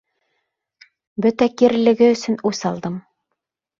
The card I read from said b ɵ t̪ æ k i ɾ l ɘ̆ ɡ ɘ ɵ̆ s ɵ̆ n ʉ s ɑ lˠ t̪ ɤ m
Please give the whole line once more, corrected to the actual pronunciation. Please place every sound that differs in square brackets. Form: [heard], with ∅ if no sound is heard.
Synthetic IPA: b ɵ t̪ æ k i ɾ l ɘ̆ ɡ ɘ ɵ̆ s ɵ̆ n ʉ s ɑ lˠ [d̪] ɤ m